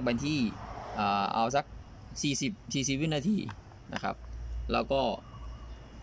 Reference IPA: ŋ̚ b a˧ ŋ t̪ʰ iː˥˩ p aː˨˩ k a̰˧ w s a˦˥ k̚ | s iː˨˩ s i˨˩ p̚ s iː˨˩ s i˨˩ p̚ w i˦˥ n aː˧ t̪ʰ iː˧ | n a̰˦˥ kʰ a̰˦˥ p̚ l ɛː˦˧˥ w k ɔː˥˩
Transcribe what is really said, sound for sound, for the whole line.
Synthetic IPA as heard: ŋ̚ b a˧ n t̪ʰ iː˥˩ ʔ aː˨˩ ʔ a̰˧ w s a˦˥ k̚ | s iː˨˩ s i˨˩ p̚ s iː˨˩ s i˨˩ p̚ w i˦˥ n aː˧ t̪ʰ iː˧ | n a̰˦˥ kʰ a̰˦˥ p̚ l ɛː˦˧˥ w k ɔː˥˩